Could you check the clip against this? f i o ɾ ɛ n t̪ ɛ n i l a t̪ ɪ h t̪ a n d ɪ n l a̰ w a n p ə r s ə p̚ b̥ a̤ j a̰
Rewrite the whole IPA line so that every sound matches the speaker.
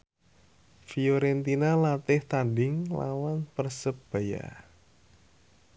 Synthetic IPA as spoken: f i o ɾ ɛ n t̪ i n a l a t̪ ɪ h t̪ a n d ɪ ŋ l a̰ w a n p ə r s ə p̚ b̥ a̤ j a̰